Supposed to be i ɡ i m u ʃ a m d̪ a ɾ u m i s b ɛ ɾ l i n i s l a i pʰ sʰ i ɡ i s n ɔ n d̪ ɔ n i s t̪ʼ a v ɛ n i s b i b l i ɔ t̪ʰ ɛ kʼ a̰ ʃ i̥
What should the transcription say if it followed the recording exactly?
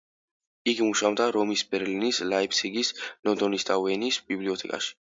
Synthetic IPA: i ɡ i m u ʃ a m d̪ a ɾ ɔ m i s b ɛ ɾ l i n i s l a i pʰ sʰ i ɡ i s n ɔ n d̪ ɔ n i s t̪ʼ a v ɛ n i s b i b l i ɔ t̪ʰ ɛ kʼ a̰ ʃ i̥